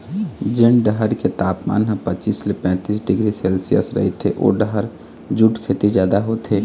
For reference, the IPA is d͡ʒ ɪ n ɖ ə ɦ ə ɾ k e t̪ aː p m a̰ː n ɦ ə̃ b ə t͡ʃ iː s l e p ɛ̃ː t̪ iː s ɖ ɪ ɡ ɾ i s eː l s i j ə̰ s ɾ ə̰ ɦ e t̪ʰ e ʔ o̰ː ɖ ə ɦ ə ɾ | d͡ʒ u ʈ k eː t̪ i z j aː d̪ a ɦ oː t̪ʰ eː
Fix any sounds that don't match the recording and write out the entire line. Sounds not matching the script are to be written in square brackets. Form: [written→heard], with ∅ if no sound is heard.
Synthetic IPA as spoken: d͡ʒ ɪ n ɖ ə ɦ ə ɾ k e t̪ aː p m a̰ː n ɦ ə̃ [b→p] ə t͡ʃ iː s l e p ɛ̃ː t̪ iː s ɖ ɪ ɡ ɾ i s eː l s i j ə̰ s ɾ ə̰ ɦ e t̪ʰ e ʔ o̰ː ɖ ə ɦ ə ɾ | d͡ʒ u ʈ [k→kʰ] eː t̪ i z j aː d̪ a ɦ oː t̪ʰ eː